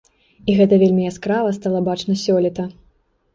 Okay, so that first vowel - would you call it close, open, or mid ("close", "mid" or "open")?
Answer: close